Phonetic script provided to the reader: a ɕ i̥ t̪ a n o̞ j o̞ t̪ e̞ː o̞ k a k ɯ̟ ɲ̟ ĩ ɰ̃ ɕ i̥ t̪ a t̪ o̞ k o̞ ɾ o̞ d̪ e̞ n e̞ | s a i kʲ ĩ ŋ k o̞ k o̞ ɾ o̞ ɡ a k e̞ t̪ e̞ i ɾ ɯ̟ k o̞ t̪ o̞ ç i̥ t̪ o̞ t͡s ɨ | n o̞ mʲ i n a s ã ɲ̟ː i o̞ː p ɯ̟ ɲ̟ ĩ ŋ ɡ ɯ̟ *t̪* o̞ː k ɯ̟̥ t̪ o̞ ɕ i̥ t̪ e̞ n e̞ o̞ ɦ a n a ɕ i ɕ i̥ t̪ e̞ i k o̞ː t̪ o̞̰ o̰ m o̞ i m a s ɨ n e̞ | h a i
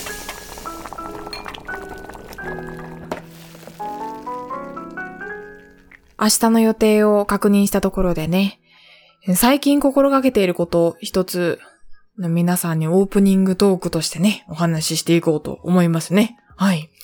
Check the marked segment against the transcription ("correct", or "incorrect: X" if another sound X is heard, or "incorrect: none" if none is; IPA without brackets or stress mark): correct